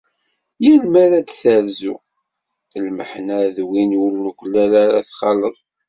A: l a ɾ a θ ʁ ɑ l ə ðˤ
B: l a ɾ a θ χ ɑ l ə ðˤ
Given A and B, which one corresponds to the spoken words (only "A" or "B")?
B